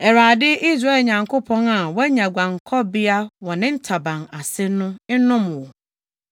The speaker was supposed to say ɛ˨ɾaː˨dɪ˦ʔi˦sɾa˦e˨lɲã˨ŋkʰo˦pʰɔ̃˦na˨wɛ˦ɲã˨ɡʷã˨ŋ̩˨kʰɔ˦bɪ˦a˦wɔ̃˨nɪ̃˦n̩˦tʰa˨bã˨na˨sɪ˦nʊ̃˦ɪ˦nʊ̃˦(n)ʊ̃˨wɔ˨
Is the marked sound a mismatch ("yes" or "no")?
yes